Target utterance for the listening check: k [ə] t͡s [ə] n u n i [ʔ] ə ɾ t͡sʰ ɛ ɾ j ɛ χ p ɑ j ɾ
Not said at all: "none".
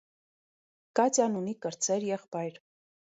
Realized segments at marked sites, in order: ɑ, ɑ, k

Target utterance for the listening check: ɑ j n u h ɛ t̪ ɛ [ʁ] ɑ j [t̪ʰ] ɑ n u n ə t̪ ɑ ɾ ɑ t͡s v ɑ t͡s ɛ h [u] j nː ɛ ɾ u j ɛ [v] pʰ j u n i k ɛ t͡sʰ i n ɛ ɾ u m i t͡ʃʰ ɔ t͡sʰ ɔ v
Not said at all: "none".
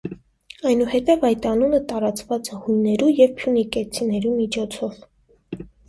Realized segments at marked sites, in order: v, t̪, u, v

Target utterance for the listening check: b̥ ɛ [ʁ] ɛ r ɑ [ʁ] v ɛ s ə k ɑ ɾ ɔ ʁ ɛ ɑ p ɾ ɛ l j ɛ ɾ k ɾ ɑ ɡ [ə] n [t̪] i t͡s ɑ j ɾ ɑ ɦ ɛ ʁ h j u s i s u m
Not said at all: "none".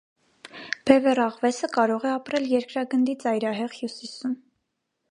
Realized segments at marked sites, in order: v, ʁ, ə, d̪

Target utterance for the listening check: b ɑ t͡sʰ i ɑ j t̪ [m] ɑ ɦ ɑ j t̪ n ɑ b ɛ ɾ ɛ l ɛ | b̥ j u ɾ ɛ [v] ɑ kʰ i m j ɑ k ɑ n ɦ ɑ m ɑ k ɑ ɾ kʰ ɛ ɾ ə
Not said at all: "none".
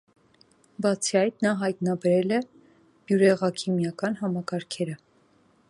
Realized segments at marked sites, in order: n, ʁ

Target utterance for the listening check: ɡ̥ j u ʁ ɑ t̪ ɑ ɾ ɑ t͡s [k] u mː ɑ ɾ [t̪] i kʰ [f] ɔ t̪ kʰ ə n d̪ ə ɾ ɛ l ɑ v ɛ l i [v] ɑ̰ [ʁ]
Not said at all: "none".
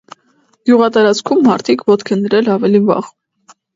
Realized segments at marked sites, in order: kʰ, t̪ʰ, v, v, ʁ

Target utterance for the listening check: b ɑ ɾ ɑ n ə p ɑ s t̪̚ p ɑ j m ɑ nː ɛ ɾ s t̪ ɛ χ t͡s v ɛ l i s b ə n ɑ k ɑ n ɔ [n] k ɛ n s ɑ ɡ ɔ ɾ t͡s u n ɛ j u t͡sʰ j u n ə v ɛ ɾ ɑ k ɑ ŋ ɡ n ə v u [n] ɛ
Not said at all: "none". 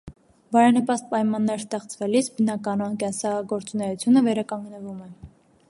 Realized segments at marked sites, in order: n, m

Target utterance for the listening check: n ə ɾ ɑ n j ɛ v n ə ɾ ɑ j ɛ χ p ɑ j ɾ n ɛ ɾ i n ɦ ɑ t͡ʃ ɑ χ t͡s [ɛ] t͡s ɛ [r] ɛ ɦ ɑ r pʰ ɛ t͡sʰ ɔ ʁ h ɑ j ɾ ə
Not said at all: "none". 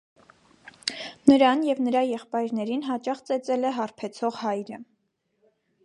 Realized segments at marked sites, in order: ɛ, l

